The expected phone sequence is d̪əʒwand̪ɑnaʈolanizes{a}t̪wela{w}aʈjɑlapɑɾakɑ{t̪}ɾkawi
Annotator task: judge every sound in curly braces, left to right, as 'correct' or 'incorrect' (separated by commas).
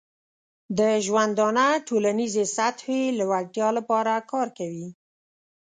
correct, correct, incorrect